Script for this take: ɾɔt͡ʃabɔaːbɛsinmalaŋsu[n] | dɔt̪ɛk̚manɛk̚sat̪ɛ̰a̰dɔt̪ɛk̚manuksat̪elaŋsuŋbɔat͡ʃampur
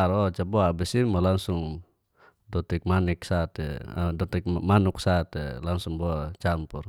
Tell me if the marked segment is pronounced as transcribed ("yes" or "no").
no